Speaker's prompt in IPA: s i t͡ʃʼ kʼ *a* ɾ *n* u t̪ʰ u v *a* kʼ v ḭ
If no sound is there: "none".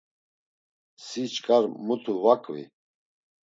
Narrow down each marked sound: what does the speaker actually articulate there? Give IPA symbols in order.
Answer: a, m, a

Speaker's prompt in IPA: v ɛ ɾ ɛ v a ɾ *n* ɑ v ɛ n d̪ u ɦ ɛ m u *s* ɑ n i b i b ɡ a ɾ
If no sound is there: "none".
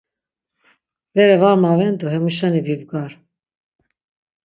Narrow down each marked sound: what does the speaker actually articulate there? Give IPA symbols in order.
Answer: m, ʃ

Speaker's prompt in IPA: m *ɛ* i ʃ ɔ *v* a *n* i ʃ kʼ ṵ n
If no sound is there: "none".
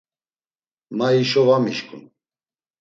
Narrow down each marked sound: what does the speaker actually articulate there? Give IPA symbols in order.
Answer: a, v, m

